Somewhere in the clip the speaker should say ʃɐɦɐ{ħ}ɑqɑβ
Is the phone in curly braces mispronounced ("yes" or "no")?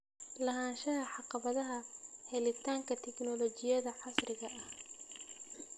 no